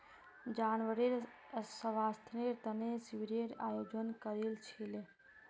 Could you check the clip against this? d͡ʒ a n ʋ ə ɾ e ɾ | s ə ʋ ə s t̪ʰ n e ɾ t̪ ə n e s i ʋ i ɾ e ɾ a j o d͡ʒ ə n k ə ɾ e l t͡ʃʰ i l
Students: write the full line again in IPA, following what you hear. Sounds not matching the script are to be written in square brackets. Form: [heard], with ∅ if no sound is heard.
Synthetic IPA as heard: d͡ʒ a n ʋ ə ɾ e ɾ | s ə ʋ [a] s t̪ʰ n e ɾ t̪ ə n e s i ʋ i ɾ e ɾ a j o d͡ʒ ə n k ə ɾ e l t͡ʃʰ i l

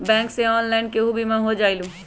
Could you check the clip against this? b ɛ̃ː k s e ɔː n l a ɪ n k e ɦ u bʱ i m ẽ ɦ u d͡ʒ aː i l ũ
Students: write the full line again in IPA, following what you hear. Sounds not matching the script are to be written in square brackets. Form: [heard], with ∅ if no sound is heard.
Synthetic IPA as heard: b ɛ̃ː k s e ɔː n l a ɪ n k e ɦ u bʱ i m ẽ ɦ [o] d͡ʒ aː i l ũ

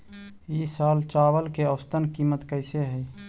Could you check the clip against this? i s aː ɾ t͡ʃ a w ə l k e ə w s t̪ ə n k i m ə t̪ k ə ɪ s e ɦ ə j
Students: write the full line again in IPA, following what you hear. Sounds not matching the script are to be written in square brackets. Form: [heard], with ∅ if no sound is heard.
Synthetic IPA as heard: i s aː [l] t͡ʃ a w ə l k e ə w s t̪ ə n k i m ə t̪ k ə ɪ s e ɦ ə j

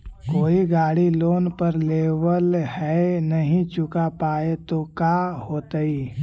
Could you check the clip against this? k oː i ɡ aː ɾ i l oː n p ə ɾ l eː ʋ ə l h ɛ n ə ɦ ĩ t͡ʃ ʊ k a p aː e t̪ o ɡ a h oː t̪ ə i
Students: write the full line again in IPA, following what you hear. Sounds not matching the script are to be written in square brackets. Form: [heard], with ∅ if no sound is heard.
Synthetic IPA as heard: k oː i ɡ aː [ɽ] i l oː n p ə ɾ l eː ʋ ə l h ɛ n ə ɦ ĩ t͡ʃ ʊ k a p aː e t̪ o [k] a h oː t̪ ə i

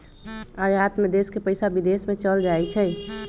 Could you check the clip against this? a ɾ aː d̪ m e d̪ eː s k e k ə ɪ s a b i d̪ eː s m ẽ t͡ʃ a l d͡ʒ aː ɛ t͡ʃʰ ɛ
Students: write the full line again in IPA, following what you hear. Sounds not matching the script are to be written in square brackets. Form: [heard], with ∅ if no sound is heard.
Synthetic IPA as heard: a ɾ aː [t̪] m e d̪ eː s k e [p] ə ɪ s a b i d̪ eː s m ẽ t͡ʃ [ə] l d͡ʒ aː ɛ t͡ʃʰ ɛ

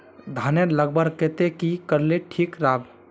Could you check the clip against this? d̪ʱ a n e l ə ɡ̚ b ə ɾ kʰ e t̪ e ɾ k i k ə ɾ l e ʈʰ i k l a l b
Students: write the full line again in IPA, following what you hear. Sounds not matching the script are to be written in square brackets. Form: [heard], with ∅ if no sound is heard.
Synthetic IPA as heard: d̪ʱ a n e l ə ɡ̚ b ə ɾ [k] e t̪ e [∅] k i k ə ɾ l e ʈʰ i k [ɾ] a [∅] b

